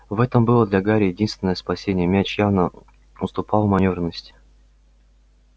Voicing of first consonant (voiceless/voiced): voiced